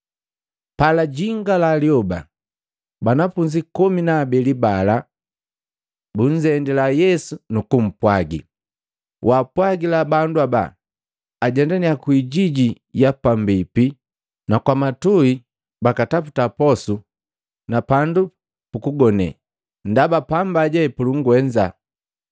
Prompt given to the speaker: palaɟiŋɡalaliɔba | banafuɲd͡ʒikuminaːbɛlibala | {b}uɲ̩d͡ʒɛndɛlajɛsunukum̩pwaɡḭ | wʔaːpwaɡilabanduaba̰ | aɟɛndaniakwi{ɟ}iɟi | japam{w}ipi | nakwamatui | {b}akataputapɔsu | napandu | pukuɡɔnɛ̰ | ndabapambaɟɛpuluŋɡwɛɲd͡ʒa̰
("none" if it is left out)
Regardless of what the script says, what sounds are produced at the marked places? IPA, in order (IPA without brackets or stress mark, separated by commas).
b, ɟ, b, b